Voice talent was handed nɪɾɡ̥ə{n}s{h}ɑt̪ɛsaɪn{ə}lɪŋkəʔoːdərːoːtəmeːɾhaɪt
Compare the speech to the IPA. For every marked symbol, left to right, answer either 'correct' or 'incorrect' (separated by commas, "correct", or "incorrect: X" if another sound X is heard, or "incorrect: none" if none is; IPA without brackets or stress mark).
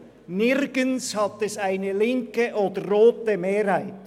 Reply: correct, correct, correct